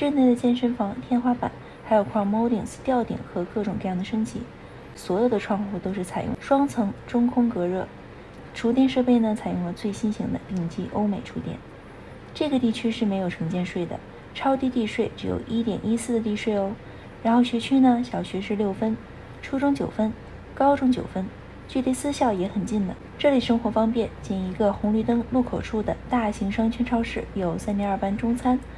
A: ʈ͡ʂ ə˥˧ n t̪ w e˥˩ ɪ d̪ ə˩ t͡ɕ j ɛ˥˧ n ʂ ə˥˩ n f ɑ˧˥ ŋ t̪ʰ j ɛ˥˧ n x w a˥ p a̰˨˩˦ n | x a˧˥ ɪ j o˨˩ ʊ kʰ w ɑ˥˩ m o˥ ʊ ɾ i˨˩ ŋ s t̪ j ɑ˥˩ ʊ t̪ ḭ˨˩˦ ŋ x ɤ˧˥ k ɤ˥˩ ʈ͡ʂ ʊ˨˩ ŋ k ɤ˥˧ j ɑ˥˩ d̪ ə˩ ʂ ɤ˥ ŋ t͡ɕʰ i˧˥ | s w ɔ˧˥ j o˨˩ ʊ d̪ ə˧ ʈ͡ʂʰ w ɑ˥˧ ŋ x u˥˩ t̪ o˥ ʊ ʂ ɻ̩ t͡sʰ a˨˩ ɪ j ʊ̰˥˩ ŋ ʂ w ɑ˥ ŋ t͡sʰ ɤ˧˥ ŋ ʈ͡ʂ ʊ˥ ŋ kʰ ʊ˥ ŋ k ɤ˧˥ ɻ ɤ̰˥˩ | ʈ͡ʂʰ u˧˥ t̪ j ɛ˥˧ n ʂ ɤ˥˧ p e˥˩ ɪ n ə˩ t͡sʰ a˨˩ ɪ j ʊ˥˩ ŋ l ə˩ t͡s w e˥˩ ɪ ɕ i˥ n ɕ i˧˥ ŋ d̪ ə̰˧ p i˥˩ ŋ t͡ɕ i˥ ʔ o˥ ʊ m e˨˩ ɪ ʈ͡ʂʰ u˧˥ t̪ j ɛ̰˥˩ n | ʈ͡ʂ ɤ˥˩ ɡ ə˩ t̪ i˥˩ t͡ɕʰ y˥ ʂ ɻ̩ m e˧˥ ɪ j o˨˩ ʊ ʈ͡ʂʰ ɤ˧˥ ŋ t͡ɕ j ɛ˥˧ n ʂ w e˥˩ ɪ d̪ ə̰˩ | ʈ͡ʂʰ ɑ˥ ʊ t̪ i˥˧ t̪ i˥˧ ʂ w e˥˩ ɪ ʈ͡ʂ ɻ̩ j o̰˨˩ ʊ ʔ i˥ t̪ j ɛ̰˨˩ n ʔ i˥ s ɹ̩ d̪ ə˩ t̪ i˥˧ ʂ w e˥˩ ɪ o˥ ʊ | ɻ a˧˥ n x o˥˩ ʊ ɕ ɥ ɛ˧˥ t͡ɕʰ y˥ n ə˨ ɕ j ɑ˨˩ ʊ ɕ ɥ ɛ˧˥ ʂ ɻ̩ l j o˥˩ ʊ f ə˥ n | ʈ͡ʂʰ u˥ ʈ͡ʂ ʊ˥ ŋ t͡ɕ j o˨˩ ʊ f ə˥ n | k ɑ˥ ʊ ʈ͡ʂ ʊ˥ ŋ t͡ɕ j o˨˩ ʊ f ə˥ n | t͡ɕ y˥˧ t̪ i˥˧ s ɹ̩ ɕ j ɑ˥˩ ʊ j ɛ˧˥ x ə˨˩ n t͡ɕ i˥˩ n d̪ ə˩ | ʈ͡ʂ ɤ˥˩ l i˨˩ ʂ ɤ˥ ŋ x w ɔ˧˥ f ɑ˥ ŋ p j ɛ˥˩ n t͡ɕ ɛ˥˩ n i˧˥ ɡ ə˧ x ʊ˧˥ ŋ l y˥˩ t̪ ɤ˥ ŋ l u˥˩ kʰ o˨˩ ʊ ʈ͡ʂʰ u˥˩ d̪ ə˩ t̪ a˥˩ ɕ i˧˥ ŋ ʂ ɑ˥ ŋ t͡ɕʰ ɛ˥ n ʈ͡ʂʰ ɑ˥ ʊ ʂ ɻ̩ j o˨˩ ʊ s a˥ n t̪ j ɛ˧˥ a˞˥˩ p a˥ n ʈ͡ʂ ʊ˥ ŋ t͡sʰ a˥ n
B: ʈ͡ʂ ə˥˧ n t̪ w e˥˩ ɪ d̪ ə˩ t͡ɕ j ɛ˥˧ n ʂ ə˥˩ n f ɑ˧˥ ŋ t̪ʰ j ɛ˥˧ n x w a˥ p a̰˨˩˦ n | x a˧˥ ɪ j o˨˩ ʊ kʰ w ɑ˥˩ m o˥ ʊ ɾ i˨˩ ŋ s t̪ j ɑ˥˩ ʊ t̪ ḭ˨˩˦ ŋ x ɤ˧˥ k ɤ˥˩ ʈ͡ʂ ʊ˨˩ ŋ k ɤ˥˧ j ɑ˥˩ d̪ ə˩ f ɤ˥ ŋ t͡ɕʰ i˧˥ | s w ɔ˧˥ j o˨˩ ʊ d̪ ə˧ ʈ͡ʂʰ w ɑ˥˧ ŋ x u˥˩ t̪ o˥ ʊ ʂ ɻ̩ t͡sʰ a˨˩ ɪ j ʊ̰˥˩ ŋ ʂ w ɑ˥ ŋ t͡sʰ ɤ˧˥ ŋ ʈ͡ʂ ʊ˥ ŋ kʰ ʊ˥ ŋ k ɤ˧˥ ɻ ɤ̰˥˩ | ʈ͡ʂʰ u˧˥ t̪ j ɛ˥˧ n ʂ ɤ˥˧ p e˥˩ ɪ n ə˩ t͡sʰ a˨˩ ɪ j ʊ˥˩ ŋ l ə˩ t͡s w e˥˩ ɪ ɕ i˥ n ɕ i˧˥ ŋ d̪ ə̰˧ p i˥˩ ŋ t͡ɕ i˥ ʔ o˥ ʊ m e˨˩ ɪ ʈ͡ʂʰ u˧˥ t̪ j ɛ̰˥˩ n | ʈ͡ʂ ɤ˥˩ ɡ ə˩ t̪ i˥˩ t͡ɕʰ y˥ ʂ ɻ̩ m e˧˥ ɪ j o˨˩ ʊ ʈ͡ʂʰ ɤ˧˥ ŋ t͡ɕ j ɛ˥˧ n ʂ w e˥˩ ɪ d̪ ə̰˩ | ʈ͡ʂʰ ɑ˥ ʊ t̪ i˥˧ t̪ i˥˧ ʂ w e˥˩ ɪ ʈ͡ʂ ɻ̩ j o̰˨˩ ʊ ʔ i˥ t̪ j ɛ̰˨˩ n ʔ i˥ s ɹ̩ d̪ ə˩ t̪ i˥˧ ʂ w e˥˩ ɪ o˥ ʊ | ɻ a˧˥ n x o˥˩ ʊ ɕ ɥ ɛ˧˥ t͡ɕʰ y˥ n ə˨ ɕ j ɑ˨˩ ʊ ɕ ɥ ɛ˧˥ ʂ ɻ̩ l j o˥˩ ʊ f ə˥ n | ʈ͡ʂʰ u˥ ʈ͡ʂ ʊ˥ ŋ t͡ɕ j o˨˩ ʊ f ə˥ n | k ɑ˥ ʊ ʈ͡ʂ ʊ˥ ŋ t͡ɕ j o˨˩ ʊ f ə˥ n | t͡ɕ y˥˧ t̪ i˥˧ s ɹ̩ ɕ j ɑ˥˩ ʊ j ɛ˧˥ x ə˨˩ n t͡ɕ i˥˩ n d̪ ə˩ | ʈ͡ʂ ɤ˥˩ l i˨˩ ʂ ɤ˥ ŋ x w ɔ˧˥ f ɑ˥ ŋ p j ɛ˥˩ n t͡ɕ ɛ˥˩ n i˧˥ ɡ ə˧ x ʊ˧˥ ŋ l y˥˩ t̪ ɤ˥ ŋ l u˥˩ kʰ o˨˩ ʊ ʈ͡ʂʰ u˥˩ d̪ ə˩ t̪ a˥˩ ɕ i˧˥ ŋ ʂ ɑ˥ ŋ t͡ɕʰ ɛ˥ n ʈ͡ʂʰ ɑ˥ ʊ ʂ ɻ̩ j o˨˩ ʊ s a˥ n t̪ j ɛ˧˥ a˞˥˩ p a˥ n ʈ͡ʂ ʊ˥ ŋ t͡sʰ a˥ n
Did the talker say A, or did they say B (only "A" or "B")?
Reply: A